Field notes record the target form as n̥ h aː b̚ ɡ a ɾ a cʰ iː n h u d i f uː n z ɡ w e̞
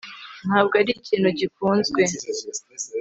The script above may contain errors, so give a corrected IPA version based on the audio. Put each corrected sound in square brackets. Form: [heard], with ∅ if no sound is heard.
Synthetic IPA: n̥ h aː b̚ ɡ a ɾ [i] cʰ iː n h u [ɟ] i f uː n z ɡ w e̞